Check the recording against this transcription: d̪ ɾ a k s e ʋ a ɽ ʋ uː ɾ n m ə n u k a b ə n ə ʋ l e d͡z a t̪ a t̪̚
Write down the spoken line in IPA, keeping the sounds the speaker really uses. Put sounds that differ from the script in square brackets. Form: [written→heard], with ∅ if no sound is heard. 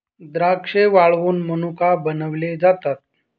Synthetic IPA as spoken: d̪ ɾ a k [s→ʂ] e ʋ a [ɽ→ɭ] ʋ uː [ɾ→∅] n m ə n u k a b ə n ə ʋ l e d͡z a t̪ a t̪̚